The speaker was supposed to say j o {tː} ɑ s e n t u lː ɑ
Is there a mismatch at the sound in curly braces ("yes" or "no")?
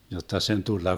no